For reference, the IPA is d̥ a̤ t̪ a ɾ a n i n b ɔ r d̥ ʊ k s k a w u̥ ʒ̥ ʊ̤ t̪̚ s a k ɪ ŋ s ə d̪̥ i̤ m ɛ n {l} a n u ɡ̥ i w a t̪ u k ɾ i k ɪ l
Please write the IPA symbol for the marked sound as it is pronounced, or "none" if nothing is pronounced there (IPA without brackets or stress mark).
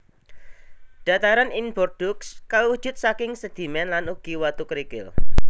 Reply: l